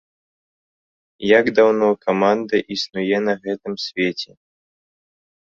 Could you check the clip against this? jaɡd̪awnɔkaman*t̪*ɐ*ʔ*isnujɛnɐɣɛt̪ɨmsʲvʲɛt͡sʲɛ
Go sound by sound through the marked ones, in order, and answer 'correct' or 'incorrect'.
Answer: incorrect: d̪, correct

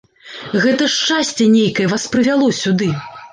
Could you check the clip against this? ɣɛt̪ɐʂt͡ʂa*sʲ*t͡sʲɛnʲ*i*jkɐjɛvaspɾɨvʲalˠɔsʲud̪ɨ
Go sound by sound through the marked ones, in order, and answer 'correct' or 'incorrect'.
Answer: correct, incorrect: e

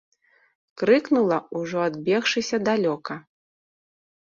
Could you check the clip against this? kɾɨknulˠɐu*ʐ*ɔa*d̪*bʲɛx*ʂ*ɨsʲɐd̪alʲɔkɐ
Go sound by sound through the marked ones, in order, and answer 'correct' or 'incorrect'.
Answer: correct, correct, correct

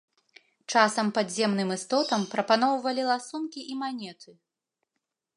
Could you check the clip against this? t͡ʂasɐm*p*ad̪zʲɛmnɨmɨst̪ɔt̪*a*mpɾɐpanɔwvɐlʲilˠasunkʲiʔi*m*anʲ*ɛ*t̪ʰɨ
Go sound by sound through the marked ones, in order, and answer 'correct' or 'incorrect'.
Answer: correct, incorrect: ɐ, correct, correct

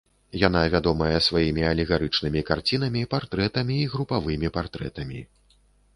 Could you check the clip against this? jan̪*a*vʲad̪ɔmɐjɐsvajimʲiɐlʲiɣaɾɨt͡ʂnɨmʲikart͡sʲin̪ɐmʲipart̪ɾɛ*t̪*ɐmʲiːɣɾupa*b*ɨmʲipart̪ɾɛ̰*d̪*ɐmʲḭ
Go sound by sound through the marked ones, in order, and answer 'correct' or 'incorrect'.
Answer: correct, correct, incorrect: v, incorrect: t̪

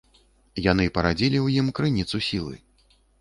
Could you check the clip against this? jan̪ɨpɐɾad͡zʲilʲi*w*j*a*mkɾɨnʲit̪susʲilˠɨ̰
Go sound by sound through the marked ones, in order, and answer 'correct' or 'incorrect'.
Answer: correct, incorrect: i

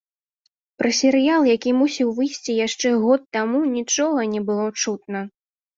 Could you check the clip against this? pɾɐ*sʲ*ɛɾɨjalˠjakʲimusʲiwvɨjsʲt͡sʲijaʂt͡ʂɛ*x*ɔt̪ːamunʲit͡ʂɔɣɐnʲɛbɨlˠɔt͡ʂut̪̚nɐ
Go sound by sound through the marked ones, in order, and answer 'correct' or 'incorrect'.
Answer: correct, incorrect: ɣ

